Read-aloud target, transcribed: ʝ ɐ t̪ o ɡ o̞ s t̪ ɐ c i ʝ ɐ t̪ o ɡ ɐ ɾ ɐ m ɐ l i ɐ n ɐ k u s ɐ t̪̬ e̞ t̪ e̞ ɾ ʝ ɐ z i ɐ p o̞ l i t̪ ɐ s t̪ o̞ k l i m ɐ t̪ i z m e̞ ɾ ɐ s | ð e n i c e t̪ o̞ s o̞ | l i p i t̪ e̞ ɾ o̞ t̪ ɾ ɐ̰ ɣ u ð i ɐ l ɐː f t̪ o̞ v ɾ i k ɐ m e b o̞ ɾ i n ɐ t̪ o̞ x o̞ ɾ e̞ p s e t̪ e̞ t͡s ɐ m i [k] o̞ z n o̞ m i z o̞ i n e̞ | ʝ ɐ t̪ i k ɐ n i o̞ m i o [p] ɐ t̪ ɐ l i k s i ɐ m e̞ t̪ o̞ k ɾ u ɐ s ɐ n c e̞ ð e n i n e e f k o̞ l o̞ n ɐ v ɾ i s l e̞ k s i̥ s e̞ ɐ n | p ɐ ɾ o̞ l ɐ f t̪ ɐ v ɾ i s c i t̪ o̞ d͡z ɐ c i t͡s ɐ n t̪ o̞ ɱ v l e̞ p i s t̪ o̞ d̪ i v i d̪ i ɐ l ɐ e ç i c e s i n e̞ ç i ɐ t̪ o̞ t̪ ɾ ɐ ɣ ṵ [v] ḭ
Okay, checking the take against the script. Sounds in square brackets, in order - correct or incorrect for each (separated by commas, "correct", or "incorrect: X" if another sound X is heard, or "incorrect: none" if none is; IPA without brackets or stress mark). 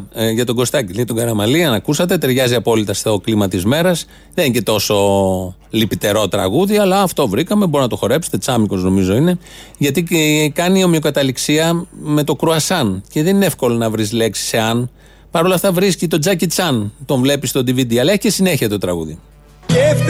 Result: correct, incorrect: k, incorrect: ð